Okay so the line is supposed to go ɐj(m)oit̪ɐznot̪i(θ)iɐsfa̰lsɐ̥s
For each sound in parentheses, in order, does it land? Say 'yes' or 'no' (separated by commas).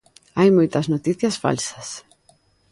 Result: yes, yes